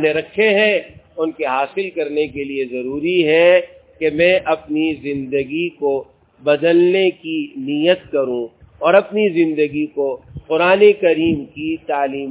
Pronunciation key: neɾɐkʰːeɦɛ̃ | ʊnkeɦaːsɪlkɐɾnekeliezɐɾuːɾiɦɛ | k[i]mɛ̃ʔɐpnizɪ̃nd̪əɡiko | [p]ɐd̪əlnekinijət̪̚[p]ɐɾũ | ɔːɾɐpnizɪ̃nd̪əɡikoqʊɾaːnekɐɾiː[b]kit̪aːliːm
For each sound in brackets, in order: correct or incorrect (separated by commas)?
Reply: incorrect, incorrect, incorrect, incorrect